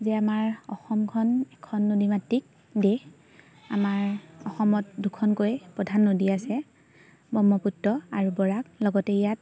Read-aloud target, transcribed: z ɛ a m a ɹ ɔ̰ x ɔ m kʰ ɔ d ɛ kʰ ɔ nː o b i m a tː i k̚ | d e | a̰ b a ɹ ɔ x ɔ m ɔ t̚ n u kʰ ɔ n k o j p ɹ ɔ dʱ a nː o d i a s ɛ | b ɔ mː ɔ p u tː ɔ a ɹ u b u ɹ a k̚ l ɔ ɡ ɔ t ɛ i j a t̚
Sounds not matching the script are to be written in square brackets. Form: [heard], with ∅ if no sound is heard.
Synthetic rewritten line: z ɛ a m a ɹ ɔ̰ x ɔ m kʰ ɔ [n] ɛ kʰ ɔ nː o [d] i m a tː i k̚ | d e | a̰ [m] a ɹ ɔ x ɔ m ɔ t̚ [d] u kʰ ɔ n k o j p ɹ ɔ dʱ a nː o d i a s ɛ | b ɔ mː ɔ p u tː ɔ a ɹ u b [ɔ] ɹ a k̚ l ɔ ɡ ɔ t ɛ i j a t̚

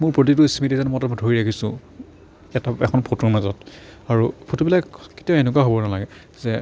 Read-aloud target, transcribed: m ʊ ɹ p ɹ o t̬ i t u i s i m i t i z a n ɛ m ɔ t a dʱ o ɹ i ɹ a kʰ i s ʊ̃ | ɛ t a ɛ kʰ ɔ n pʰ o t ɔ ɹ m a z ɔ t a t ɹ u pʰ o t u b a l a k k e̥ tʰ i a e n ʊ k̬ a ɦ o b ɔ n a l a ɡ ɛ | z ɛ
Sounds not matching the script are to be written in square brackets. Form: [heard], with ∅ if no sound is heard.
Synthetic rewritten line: m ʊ ɹ p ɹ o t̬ i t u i s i m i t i z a n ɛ m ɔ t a dʱ o ɹ i ɹ a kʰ i s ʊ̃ | ɛ t a ɛ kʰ ɔ n pʰ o t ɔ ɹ m a z ɔ t a [∅] ɹ u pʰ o t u b [i] l a k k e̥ [t] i a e n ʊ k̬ a ɦ o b ɔ n a l a ɡ ɛ | z ɛ

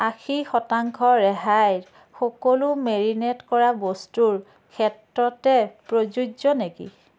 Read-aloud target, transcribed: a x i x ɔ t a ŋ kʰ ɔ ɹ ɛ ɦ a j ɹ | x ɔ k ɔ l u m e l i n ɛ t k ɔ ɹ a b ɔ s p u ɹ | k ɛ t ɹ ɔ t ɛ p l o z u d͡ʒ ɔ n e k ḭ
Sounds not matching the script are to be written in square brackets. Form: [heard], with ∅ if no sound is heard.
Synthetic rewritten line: a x i x ɔ t a ŋ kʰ ɔ ɹ ɛ ɦ a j ɹ | x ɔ k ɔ l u m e [ɹ] i n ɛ t k ɔ ɹ a b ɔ s [t] u ɹ | [kʰ] ɛ t ɹ ɔ t ɛ p [ɹ] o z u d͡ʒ ɔ n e k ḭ

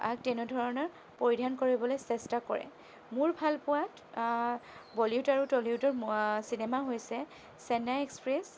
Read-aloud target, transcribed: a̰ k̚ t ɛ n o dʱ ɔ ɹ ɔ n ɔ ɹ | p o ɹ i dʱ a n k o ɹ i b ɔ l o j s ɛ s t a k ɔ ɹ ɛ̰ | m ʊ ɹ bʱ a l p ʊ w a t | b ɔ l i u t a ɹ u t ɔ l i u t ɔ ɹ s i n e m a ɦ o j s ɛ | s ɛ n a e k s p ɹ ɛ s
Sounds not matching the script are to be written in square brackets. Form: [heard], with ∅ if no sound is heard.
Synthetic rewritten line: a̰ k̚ t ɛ n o dʱ ɔ ɹ ɔ n ɔ ɹ | p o ɹ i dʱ a n k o ɹ i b ɔ l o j s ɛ s t a k ɔ ɹ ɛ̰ | m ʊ ɹ bʱ a l p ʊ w a t | b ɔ l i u t a ɹ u t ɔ l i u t ɔ ɹ s i n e m a ɦ o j s ɛ | s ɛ n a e k s p ɹ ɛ s

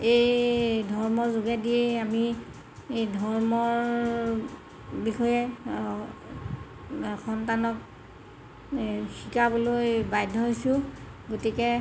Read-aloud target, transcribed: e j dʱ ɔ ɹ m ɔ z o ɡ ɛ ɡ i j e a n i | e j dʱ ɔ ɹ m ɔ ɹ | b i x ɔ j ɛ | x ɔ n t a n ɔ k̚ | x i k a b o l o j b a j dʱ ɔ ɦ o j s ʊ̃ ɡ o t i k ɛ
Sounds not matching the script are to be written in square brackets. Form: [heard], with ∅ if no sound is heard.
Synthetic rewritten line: e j dʱ ɔ ɹ m ɔ z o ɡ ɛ [d] i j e a [m] i | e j dʱ ɔ ɹ m ɔ ɹ | b i x ɔ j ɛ | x ɔ n t a n ɔ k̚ | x i k a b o l o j b a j dʱ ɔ ɦ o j s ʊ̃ ɡ o t i k ɛ

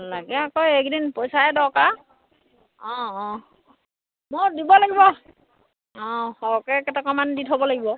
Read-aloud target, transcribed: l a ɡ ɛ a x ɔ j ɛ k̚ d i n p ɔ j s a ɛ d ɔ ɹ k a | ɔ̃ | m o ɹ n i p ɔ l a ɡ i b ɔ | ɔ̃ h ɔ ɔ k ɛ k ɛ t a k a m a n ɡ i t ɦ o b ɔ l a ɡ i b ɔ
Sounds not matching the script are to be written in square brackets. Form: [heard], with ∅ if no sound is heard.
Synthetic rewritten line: l a ɡ ɛ a [k] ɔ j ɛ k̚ d i n p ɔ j s a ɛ d ɔ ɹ k a | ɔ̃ | m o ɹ [d] i [b] ɔ l a ɡ i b ɔ | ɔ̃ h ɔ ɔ k ɛ k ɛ t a k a m a n [d] i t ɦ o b ɔ l a ɡ i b ɔ

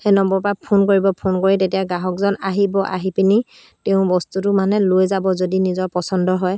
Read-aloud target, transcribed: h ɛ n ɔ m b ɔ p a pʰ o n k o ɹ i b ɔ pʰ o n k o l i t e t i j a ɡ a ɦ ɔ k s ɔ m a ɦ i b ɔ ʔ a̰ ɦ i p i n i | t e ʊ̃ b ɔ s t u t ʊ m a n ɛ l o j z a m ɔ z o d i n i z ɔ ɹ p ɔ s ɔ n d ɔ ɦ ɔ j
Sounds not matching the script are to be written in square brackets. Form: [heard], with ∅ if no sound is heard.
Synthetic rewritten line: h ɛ n ɔ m b ɔ p a pʰ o n k o ɹ i b ɔ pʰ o n k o [ɹ] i t e t i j a ɡ a ɦ ɔ k [z] ɔ [n] a ɦ i b ɔ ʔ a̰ ɦ i p i n i | t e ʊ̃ b ɔ s t u t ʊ m a n ɛ l o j z a [b] ɔ z o d i n i z ɔ ɹ p ɔ s ɔ n d ɔ ɦ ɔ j

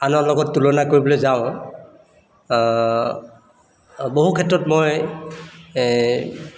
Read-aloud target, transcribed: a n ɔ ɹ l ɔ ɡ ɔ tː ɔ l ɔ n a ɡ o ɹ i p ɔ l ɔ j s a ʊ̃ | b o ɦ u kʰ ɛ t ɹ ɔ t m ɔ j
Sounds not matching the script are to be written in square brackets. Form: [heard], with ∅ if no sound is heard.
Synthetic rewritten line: a n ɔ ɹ l ɔ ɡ ɔ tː [u] l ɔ n a [k] o ɹ i [b] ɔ l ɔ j [z] a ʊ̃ | b o ɦ u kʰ ɛ t ɹ ɔ t m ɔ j

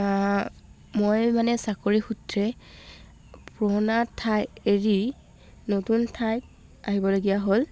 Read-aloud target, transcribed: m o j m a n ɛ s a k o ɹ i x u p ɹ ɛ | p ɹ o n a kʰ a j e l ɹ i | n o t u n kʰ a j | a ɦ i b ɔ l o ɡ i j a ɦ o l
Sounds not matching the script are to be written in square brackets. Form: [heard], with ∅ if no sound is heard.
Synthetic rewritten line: m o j m a n ɛ s a k o ɹ i x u [t] ɹ ɛ | p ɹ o n a [tʰ] a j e [∅] ɹ i | n o t u n [tʰ] a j | a ɦ i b ɔ l o ɡ i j a ɦ o l

